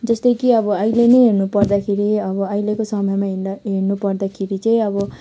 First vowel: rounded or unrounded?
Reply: unrounded